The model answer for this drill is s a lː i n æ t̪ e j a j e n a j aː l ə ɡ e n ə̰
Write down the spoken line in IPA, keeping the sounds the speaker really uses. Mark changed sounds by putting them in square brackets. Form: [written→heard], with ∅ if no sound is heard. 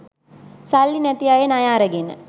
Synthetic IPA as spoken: s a lː i n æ t̪ [e→i] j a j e n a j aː [l→ɾ] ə ɡ e n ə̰